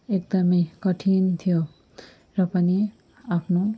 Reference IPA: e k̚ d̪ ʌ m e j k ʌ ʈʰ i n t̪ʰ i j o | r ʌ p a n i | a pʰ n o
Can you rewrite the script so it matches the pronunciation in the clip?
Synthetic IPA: e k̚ d̪ ʌ m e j k ʌ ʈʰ i n t̪ʰ i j o | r ʌ p ʌ n i | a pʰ n o